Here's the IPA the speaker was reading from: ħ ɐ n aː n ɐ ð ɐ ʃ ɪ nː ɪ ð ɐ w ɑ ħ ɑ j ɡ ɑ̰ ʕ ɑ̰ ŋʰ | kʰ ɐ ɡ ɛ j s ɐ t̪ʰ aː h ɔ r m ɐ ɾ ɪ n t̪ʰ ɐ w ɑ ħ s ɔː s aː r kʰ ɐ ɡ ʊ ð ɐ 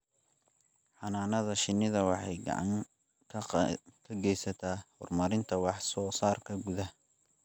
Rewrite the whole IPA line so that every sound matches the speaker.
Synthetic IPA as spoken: ħ ɑ n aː n ɐ ð ɐ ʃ ɪ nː ɪ ð ɐ w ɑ ħ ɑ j ɡ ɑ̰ ʕ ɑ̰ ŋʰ | kʰ ɐ ɡ ɛ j s ɐ t̪ʰ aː h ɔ r m ɐ ɾ ɪ n t̪ʰ ɐ w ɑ ħ s ɔː s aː r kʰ ɐ ɡ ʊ ð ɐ

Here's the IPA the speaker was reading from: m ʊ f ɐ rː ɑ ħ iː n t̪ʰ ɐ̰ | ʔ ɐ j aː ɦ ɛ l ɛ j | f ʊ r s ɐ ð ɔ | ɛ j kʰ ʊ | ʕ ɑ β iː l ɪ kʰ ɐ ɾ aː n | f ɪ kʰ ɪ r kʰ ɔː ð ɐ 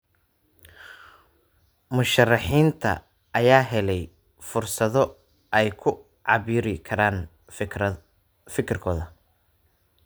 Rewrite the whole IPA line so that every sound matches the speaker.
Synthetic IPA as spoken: m ʊ ʃ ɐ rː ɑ ħ iː n t̪ʰ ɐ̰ | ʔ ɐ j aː ɦ ɛ l ɛ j | f ʊ r s ɐ ð ɔ | ɛ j kʰ ʊ | ʕ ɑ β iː ɾ ɪ kʰ ɐ ɾ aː n | f ɪ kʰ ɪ r kʰ ɔː ð ɐ

